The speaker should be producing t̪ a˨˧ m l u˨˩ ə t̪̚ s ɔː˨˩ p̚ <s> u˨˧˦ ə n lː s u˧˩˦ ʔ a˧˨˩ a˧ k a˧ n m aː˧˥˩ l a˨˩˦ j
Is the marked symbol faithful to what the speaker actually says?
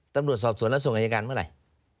yes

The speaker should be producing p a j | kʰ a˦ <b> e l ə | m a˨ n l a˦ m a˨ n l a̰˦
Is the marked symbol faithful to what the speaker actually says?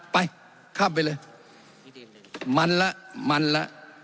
yes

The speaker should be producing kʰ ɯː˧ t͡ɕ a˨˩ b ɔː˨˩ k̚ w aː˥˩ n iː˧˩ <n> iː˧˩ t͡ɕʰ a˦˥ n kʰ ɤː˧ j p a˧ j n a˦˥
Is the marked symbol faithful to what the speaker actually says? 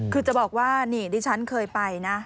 no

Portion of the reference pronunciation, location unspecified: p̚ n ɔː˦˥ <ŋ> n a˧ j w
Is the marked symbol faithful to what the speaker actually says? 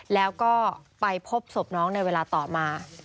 yes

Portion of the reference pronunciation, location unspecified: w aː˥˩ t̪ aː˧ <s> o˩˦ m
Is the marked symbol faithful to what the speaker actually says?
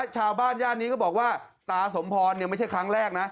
yes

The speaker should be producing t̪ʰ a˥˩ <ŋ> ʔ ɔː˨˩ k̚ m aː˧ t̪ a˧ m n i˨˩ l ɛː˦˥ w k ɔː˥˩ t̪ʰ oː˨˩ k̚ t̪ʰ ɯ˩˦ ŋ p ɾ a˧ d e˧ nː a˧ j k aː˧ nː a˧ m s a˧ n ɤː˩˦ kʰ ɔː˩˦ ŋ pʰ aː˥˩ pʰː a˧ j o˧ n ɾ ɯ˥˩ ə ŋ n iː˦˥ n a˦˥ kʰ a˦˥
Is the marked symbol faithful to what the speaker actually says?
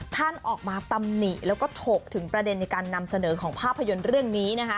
no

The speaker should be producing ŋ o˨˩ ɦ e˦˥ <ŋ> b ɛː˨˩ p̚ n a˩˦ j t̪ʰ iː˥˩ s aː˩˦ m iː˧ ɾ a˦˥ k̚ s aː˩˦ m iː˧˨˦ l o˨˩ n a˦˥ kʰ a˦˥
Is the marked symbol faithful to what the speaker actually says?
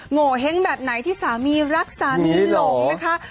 yes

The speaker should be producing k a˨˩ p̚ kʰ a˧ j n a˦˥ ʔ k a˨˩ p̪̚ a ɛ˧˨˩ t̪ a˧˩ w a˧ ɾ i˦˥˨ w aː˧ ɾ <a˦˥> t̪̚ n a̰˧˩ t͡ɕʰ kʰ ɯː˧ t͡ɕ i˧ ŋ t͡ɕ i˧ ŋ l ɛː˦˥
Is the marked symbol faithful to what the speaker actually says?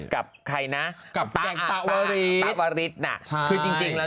no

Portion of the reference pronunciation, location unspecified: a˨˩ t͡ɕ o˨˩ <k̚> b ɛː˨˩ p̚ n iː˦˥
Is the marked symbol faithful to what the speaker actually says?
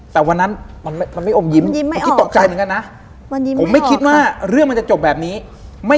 no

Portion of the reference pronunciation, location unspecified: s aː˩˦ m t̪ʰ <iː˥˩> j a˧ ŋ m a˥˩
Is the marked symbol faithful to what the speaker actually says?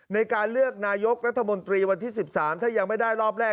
no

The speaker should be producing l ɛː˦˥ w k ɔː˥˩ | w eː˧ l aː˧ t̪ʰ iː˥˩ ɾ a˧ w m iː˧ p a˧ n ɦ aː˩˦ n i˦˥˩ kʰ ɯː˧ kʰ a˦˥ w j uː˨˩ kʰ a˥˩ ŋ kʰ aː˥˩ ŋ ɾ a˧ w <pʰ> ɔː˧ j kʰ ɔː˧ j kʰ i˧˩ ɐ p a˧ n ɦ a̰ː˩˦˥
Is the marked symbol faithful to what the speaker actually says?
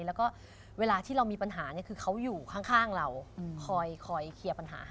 no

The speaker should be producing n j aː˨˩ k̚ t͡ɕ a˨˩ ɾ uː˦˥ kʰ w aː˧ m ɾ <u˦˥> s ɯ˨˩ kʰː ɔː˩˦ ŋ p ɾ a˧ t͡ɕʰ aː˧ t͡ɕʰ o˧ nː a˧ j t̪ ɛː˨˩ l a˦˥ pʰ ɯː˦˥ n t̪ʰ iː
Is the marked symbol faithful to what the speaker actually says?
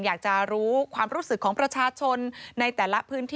no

